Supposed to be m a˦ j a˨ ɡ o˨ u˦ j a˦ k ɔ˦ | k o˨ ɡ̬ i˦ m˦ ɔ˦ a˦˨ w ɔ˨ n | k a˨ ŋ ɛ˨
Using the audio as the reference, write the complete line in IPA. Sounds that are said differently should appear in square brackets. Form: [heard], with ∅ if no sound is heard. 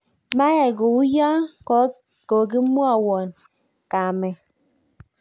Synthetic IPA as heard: m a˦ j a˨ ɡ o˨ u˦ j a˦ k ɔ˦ | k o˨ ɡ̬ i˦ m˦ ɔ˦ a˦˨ w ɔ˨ n | k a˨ [m] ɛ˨